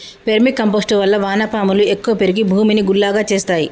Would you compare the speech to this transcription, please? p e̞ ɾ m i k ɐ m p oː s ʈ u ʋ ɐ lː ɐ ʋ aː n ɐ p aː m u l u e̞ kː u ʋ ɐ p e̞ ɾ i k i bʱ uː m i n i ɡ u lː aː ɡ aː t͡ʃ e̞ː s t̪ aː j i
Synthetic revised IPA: p e̞ ɾ m i k ɐ m p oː s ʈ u ʋ ɐ lː ɐ ʋ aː n ɐ p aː m u l u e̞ kː u ʋ ɐ p e̞ ɾ i ɡ i bʱ uː m i n i ɡ u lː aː ɡ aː t͡ʃ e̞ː s t̪ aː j i